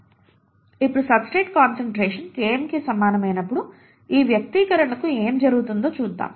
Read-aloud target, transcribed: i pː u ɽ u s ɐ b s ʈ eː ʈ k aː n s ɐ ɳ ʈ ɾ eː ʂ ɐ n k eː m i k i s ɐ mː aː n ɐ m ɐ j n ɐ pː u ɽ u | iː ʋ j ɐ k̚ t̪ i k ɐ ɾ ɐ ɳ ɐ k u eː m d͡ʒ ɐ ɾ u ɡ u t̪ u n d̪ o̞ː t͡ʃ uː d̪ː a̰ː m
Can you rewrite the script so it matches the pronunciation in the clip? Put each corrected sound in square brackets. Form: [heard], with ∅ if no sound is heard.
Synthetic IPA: i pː u ɽ u s ɐ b s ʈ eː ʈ k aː n s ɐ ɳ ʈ ɾ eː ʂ ɐ n k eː m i k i s ɐ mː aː n ɐ m ɐ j n ɐ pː u ɽ u | iː ʋ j ɐ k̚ t̪ i k ɐ ɾ ɐ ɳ ɐ k u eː m d͡ʒ ɐ ɾ u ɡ u t̪ u n d̪ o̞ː t͡ʃ uː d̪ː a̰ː m